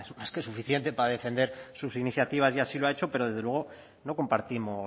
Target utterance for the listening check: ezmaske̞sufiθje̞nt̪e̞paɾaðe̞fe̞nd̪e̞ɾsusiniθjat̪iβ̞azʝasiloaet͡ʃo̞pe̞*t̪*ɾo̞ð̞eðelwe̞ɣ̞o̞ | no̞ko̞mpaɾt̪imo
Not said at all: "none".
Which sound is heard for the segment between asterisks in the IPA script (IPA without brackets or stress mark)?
none